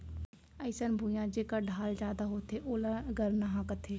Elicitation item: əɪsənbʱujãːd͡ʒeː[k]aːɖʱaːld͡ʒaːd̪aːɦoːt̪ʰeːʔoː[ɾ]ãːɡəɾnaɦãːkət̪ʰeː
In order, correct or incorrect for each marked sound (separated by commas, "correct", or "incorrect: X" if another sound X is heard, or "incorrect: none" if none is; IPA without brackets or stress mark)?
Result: correct, incorrect: l